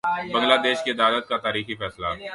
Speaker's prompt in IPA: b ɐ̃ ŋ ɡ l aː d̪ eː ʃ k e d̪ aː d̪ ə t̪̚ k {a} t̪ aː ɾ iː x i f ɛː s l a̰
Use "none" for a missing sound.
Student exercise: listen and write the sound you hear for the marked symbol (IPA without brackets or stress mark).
a